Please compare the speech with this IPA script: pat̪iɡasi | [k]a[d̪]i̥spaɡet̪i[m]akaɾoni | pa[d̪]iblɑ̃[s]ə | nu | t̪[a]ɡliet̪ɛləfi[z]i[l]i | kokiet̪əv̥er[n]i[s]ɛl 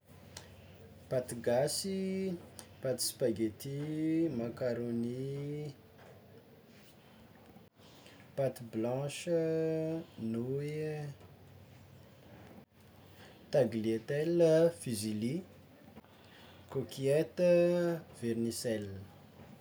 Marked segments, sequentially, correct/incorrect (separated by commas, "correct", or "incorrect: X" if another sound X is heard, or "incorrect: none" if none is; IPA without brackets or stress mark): incorrect: p, incorrect: t̪, correct, incorrect: t̪, incorrect: ʃ, correct, correct, correct, correct, correct